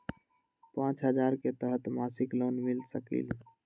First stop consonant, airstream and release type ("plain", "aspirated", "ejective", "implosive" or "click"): plain